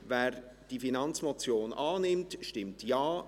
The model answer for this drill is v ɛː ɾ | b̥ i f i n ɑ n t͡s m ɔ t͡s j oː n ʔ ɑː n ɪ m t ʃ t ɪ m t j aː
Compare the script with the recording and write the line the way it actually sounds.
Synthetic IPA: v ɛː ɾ | d̥ i f i n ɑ n t͡s m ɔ t͡s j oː n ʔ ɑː n ɪ m t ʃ t ɪ m t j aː